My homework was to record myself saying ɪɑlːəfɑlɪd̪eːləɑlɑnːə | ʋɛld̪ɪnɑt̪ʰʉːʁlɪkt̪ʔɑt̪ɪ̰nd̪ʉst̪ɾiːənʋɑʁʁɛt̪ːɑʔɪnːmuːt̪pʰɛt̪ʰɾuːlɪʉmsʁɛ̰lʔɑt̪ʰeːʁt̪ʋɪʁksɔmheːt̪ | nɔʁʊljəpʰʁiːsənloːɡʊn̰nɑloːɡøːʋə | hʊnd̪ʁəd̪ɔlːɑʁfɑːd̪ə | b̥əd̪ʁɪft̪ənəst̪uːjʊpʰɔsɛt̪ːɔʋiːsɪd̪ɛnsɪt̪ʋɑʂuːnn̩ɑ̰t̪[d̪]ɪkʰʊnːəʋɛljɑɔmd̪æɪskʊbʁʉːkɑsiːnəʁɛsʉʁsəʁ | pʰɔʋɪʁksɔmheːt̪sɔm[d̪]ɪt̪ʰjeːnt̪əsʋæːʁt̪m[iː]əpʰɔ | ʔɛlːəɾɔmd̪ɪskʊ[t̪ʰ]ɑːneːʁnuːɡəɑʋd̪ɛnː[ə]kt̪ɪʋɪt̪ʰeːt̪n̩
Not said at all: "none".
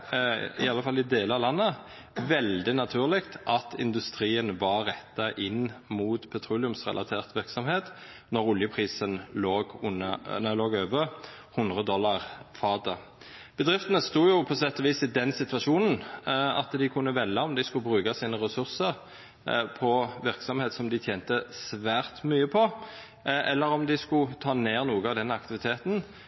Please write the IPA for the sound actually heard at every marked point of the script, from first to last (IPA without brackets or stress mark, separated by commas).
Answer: d̪, d̪, yː, t̪ʰ, ɑ